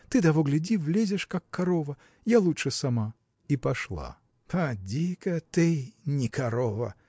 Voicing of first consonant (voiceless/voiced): voiceless